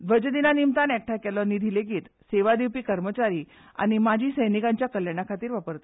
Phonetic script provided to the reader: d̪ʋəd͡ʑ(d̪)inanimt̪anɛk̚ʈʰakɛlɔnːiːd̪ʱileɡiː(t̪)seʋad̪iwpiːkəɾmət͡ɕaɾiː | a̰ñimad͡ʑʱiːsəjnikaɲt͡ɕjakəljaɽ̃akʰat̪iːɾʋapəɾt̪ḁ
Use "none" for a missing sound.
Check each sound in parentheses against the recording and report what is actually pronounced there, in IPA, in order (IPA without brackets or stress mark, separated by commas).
d̪, t̪